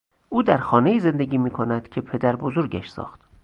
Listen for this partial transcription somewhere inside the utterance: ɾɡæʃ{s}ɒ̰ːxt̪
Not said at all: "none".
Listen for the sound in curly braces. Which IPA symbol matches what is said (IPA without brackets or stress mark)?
s